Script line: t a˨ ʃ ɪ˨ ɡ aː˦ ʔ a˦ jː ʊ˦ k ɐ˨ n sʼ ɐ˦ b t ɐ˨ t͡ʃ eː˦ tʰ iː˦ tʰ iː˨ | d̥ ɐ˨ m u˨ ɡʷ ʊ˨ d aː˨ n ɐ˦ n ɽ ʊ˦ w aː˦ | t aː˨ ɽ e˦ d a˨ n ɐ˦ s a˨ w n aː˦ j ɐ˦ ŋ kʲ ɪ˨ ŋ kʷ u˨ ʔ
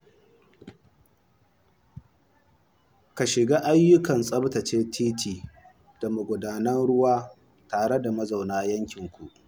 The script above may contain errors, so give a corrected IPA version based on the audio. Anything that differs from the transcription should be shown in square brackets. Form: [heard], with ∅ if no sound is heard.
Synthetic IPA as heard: [k] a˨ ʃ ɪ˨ ɡ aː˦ ʔ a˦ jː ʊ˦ k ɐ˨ n sʼ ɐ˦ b t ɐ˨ t͡ʃ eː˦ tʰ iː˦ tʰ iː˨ | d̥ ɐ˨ m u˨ ɡʷ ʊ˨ d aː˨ n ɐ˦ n ɽ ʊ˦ w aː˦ | t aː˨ ɽ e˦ d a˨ [m] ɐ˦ [z] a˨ w n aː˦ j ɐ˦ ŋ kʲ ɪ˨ ŋ kʷ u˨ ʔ

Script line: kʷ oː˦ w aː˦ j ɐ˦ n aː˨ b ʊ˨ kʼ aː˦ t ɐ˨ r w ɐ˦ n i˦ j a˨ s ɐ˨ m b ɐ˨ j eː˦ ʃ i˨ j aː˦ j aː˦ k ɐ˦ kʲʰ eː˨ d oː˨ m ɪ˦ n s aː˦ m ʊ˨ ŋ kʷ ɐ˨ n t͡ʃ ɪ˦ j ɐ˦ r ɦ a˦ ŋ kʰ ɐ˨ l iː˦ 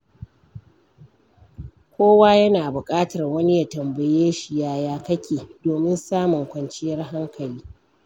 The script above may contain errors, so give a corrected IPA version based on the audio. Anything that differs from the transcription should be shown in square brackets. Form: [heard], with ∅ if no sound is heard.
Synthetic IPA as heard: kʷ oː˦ w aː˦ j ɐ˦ n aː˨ b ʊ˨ kʼ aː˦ t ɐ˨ r w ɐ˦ n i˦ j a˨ [t] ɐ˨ m b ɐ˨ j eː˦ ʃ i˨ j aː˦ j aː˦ k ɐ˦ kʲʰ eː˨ d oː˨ m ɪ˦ n s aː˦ m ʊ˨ ŋ kʷ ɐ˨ n t͡ʃ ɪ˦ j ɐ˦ r ɦ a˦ ŋ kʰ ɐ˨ l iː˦

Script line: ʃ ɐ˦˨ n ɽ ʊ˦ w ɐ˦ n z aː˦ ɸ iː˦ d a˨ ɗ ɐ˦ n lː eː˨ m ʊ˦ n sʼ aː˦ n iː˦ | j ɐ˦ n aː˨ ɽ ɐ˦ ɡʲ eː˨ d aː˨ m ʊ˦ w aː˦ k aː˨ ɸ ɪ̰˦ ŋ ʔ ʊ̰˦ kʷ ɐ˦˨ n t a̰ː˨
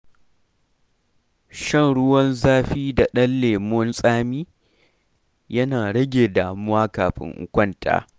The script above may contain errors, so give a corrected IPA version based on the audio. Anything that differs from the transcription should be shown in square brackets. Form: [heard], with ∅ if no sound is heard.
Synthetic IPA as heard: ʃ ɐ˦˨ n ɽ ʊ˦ w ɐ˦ n z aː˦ ɸ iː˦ d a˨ ɗ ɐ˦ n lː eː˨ m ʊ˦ n sʼ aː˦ [m] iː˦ | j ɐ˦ n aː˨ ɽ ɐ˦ ɡʲ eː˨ d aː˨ m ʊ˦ w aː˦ k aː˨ ɸ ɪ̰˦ ŋ ʔ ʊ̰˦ kʷ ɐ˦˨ n t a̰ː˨

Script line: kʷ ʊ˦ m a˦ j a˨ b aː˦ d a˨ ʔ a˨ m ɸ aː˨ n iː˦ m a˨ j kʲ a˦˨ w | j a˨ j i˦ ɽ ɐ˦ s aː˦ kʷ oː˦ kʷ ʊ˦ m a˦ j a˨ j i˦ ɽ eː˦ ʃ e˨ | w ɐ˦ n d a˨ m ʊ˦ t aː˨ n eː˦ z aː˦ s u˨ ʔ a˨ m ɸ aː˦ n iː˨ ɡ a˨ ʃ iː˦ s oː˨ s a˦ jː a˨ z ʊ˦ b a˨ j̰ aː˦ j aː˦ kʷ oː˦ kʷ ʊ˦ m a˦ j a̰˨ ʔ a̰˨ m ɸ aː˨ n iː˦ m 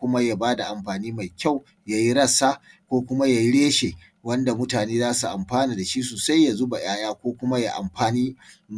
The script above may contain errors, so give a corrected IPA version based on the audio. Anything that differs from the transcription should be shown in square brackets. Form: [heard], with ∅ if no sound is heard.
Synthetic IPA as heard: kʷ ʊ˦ m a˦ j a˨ b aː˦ d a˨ ʔ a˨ m ɸ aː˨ n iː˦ m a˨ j kʲ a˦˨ w | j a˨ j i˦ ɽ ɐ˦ s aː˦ kʷ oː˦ kʷ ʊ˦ m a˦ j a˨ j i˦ ɽ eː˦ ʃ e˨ | w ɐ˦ n d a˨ m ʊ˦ t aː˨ n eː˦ z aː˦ s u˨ ʔ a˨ m ɸ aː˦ n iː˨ [d] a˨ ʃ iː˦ s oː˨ s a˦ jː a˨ z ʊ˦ b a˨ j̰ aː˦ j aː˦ kʷ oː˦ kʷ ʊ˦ m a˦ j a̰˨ ʔ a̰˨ m ɸ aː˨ n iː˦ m

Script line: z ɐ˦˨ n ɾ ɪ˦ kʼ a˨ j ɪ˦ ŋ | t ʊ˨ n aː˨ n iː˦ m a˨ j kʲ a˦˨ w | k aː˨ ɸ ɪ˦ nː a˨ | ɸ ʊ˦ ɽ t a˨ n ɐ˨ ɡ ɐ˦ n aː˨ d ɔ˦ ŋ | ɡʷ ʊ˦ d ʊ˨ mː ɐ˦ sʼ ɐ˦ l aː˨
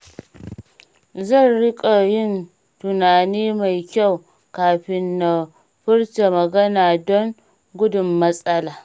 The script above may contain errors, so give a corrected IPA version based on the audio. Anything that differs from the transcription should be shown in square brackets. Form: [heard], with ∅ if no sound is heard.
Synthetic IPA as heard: z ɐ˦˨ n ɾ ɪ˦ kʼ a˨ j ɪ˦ [n] | t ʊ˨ n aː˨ n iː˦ m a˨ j kʲ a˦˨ w | k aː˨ ɸ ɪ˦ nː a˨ | ɸ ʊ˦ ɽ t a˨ [m] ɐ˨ ɡ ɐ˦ n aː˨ d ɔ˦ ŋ | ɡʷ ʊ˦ d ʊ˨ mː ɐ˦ sʼ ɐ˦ l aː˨

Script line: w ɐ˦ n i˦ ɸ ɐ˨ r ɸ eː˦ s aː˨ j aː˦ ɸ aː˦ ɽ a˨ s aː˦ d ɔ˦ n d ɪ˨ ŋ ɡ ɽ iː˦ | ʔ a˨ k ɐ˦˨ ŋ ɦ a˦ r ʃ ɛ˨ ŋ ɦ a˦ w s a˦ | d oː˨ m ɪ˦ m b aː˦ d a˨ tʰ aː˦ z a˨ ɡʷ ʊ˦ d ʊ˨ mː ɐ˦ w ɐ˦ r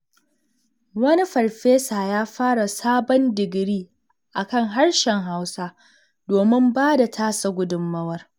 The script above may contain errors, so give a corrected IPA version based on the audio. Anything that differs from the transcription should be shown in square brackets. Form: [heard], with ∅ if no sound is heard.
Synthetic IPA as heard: w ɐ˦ n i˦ ɸ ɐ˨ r ɸ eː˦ s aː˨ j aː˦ ɸ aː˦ ɽ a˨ s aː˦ [b] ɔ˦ n d ɪ˨ [∅] ɡ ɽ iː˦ | ʔ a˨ k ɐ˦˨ ŋ ɦ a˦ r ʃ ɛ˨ ŋ ɦ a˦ w s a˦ | d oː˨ m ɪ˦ m b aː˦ d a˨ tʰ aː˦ [s] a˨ ɡʷ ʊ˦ d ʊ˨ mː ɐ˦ w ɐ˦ r

